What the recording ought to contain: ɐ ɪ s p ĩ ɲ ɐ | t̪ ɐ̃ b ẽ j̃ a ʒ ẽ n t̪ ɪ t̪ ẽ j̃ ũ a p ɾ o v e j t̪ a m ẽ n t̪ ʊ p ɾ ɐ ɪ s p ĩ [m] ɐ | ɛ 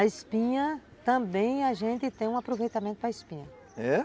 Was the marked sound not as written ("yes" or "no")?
yes